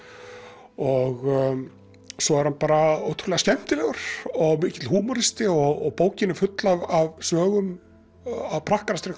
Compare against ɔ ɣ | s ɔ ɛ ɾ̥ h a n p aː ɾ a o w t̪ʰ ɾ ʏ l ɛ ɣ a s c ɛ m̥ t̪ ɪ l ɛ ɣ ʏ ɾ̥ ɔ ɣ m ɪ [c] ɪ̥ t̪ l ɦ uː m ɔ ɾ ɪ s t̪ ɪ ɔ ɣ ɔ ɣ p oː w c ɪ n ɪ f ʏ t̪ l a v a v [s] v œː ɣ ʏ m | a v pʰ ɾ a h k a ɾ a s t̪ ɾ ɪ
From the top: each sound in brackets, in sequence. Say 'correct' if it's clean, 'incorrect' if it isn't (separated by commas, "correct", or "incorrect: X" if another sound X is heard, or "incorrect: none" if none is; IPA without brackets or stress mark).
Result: correct, correct